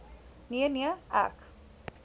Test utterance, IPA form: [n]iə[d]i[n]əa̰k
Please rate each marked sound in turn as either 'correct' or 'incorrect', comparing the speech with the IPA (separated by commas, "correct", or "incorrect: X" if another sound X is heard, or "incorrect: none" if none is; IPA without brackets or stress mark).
correct, incorrect: n, incorrect: none